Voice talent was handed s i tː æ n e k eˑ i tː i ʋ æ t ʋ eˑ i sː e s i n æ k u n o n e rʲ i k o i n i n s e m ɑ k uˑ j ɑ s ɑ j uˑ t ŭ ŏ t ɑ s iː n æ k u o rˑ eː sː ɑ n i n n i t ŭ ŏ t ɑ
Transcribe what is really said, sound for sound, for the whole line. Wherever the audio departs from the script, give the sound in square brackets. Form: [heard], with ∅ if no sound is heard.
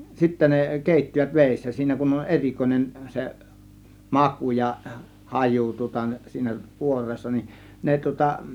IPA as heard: s i tː æ n e k eˑ i tː i ʋ æ t ʋ eˑ i sː [æ] s [iː] n æ k u n o n e rʲ i k o i n [e] n s e m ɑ k uˑ j ɑ [h] ɑ j uˑ t ŭ ŏ t ɑ s iː n æ k u o rˑ eː sː ɑ n i n n [e] t ŭ ŏ t ɑ